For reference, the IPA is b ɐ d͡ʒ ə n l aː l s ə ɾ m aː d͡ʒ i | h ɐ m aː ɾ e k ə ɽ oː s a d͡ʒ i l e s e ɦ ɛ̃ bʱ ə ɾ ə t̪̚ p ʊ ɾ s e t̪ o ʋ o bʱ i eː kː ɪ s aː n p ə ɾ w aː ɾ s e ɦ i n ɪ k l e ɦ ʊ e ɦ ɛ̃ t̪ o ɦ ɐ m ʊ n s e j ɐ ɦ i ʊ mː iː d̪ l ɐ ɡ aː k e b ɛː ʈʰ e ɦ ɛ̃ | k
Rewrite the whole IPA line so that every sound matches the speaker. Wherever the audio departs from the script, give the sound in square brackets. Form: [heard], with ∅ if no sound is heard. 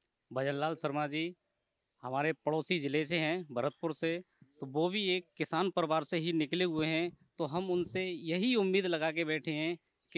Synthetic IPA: b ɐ d͡ʒ ə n l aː l s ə ɾ m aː d͡ʒ i | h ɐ m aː ɾ e [p] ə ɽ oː s [i] d͡ʒ [ɪ] l e s e ɦ ɛ̃ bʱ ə ɾ ə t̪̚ p ʊ ɾ s e t̪ o ʋ o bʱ i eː kː ɪ s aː n p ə ɾ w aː ɾ s e ɦ i n ɪ k l e ɦ ʊ e ɦ ɛ̃ t̪ o ɦ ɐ m ʊ n s e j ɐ ɦ i ʊ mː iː d̪ l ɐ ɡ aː k e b ɛː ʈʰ e ɦ ɛ̃ | k